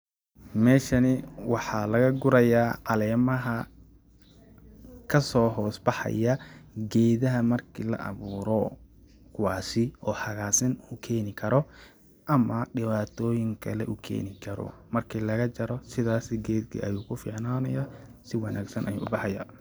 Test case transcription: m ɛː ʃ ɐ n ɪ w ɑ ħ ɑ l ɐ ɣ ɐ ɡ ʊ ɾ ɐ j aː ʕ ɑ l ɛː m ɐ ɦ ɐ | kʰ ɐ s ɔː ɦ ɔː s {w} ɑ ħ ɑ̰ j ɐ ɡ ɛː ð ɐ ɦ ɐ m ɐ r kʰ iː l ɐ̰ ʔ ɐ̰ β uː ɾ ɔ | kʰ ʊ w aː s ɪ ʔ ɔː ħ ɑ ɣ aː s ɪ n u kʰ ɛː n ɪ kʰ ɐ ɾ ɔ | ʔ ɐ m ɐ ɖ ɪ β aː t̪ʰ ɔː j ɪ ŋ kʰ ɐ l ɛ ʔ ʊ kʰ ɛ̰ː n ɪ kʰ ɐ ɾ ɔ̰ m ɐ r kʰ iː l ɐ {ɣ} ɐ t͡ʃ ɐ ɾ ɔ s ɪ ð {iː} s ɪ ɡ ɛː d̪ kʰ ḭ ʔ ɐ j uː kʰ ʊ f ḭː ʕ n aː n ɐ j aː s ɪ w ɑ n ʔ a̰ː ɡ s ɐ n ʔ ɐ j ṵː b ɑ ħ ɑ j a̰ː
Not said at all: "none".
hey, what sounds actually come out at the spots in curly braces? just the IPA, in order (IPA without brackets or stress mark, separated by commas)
b, ɣ, aː